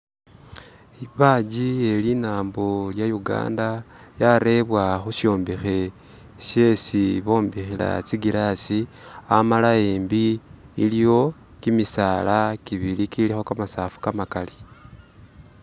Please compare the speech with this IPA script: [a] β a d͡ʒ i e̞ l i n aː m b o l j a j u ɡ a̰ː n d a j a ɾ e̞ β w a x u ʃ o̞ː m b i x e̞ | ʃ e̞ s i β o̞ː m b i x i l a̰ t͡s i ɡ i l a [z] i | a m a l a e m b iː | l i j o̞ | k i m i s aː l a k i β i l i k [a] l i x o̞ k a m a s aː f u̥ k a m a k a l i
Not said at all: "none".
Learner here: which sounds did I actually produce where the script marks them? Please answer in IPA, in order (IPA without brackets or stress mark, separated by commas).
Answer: i, s, i